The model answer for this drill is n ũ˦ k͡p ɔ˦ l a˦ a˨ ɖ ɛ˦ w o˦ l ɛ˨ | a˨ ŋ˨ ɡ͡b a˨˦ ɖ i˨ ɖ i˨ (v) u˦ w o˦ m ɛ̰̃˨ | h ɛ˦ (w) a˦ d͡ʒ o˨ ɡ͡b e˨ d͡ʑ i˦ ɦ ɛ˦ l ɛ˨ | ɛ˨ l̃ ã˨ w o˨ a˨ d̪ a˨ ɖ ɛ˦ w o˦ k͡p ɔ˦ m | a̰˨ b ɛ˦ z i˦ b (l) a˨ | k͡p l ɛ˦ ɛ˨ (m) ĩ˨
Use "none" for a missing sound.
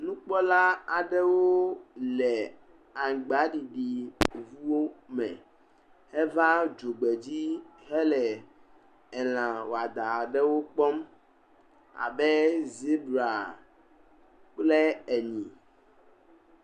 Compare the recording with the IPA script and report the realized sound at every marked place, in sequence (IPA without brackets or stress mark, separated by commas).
v, v, ɾ, ɲ